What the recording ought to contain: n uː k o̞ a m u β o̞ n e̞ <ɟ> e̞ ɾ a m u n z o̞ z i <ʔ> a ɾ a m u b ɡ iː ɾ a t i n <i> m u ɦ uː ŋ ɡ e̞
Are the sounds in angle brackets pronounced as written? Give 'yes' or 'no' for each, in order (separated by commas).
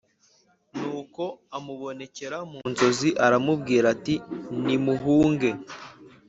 no, yes, yes